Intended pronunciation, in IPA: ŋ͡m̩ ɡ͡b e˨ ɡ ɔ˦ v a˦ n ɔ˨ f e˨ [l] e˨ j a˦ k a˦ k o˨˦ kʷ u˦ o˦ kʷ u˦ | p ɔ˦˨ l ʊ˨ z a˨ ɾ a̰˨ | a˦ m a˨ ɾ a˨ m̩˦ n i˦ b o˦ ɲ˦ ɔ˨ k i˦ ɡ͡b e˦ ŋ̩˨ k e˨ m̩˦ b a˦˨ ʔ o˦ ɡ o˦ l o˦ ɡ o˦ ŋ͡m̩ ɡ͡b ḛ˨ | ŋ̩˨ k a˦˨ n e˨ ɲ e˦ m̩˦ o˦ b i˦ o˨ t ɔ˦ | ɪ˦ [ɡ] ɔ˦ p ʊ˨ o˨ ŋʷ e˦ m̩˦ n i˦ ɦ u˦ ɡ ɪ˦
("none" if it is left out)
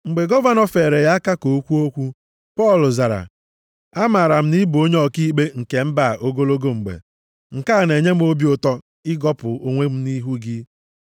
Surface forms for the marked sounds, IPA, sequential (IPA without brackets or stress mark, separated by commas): ɾ, ɡ